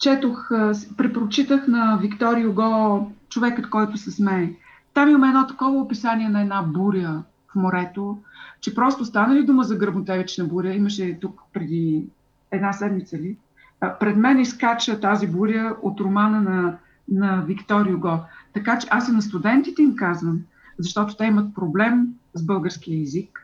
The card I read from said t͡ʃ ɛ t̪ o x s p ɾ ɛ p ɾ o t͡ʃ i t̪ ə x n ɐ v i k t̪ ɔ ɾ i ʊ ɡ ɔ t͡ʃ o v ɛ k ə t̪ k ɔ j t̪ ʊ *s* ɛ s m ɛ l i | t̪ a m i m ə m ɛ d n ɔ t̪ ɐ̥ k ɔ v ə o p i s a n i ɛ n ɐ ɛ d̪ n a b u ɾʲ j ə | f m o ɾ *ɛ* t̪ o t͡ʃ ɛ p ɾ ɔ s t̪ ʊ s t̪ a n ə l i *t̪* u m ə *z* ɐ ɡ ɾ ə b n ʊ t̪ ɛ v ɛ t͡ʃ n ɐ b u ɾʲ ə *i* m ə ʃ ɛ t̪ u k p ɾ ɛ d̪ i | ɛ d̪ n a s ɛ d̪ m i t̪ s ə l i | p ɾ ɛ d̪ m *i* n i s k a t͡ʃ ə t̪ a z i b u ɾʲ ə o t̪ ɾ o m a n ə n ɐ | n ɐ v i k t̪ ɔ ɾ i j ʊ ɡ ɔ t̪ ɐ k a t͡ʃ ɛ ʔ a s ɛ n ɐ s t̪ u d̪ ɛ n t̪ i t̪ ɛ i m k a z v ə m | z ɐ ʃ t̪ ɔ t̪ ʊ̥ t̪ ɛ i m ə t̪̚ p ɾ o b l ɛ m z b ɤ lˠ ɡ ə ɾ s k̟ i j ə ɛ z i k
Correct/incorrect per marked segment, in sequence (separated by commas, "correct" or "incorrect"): correct, correct, incorrect, correct, correct, incorrect